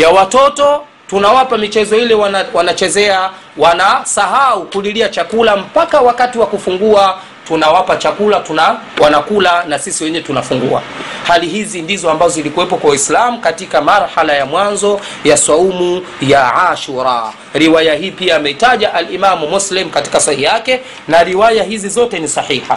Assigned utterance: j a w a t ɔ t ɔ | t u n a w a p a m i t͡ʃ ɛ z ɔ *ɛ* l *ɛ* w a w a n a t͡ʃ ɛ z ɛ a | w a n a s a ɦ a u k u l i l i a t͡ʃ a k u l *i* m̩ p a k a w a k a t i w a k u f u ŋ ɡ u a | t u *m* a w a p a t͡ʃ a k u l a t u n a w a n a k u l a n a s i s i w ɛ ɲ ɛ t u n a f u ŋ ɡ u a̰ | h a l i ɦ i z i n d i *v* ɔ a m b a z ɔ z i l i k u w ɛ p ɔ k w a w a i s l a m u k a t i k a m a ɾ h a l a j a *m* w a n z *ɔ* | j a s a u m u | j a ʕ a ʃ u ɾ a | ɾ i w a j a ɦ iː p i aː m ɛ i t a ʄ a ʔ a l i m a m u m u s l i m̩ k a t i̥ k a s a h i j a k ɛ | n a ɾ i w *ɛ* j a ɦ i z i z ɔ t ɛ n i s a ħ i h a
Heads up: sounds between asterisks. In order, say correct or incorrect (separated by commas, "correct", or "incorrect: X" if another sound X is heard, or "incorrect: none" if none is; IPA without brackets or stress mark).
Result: incorrect: i, correct, incorrect: a, incorrect: n, incorrect: z, correct, correct, incorrect: a